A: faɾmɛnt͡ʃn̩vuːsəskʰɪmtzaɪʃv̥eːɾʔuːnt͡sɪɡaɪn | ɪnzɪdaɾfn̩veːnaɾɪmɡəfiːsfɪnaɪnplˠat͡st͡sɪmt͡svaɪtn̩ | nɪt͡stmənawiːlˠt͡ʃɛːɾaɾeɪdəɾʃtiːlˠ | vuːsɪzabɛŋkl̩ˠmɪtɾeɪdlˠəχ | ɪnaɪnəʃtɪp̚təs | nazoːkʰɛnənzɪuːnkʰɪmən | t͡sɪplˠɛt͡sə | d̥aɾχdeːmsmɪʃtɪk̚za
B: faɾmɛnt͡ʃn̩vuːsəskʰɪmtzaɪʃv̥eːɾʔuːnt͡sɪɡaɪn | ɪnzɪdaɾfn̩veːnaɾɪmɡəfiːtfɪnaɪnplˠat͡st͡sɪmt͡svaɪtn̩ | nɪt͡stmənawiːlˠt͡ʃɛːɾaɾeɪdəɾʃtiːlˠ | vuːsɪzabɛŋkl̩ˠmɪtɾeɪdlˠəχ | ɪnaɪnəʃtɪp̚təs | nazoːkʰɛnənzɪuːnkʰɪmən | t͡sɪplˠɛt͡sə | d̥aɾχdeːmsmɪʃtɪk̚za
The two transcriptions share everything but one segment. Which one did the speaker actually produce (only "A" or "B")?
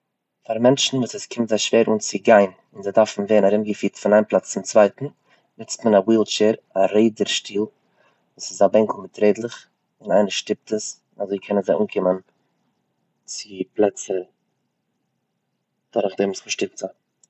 B